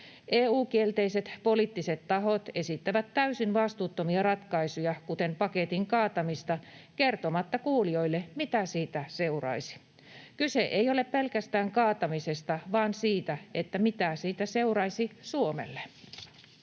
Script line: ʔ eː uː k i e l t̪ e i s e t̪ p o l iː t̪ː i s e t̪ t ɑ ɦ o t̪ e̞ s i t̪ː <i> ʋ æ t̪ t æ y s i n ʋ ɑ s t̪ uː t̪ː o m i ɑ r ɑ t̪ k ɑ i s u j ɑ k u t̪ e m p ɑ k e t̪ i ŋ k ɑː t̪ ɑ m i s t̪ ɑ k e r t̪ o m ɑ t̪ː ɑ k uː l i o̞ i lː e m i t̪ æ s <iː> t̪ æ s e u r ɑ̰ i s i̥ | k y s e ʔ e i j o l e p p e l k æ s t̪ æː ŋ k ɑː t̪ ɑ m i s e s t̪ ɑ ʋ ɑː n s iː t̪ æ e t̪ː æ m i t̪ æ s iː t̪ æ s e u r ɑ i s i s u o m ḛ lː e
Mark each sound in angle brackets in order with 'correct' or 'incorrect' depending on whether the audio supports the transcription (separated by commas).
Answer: incorrect, correct